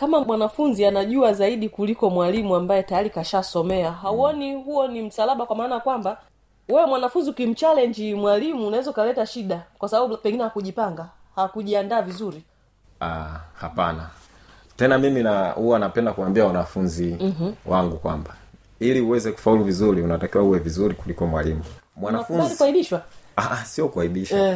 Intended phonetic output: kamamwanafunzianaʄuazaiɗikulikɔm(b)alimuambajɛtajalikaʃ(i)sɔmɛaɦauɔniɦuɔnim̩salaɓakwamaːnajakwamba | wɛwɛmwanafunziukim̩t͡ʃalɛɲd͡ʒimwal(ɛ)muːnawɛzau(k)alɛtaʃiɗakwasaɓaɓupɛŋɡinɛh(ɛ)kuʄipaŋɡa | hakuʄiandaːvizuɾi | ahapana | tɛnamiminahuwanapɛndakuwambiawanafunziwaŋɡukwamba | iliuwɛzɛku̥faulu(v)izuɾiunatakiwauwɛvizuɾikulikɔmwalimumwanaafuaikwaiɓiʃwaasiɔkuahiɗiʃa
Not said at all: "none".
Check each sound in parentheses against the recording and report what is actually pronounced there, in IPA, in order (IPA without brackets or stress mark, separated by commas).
w, a, i, k, a, v